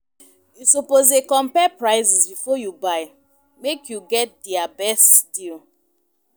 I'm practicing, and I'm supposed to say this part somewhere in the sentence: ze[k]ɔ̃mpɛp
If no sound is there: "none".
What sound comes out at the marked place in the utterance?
k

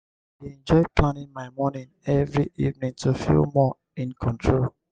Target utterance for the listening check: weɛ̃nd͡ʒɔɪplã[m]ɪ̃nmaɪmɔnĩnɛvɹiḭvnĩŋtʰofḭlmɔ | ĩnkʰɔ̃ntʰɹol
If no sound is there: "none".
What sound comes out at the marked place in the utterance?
n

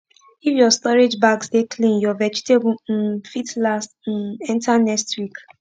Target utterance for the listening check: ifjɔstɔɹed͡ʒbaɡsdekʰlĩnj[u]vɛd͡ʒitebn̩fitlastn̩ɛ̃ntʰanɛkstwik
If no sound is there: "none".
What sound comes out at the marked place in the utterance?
ɔ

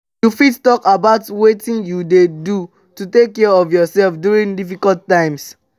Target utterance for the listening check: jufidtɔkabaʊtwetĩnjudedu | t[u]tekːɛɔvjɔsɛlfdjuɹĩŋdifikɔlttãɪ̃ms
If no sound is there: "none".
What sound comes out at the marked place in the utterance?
u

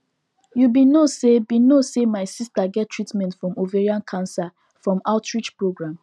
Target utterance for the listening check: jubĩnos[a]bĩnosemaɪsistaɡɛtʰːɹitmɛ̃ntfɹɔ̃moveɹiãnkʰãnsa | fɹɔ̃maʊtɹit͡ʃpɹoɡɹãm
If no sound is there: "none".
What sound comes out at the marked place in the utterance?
e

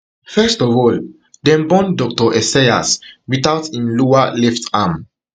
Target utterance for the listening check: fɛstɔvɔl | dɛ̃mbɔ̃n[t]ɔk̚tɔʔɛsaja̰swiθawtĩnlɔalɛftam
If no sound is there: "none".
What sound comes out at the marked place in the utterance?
d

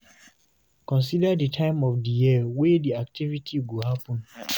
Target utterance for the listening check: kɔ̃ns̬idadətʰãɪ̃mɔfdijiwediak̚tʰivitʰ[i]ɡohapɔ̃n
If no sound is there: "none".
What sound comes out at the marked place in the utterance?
i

